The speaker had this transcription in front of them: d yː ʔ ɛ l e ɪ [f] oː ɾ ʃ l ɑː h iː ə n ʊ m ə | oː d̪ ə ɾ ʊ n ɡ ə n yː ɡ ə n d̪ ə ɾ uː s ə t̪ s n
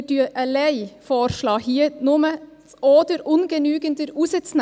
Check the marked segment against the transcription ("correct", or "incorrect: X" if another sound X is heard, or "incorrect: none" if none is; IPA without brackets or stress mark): correct